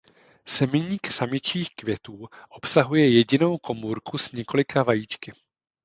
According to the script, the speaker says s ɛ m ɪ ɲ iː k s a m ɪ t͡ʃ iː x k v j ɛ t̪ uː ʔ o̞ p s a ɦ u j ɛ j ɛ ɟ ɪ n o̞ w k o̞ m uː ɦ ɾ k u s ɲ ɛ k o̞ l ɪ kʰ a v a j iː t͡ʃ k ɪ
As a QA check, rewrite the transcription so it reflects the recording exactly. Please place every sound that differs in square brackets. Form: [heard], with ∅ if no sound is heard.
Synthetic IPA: s ɛ m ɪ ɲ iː k s a m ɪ t͡ʃ iː x k v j ɛ t̪ uː ʔ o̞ p s a ɦ u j ɛ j ɛ ɟ ɪ n o̞ w k o̞ m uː [∅] ɾ k u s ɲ ɛ k o̞ l ɪ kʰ a v a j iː t͡ʃ k ɪ